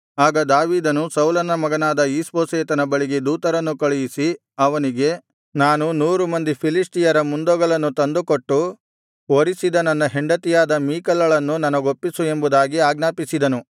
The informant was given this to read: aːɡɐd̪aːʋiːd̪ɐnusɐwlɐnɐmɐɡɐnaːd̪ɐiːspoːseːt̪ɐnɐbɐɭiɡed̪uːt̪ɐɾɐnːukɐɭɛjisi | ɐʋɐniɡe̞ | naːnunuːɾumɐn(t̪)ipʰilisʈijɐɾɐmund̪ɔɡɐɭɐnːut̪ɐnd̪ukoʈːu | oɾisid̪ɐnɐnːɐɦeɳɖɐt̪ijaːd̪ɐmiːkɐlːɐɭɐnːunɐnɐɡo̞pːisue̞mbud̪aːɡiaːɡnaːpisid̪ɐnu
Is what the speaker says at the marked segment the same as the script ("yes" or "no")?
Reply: no